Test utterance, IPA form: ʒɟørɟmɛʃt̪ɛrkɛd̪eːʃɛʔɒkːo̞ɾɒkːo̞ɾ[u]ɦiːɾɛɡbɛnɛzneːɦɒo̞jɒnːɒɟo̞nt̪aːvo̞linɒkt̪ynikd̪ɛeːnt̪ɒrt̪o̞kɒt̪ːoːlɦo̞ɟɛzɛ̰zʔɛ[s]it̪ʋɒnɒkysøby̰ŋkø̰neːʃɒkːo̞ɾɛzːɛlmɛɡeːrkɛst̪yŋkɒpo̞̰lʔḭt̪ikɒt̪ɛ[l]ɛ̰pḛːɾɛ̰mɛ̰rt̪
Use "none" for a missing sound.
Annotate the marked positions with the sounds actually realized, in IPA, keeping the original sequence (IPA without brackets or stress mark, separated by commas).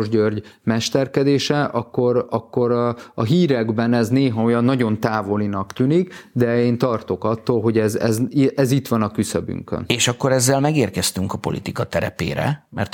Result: ɒ, z, ɾ